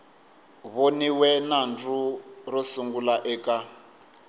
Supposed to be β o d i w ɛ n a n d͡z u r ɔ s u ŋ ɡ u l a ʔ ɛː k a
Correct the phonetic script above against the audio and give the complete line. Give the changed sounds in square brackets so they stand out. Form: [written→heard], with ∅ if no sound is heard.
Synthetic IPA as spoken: β o [d→n] i w ɛ n a n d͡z u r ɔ s u ŋ ɡ u l a ʔ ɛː k a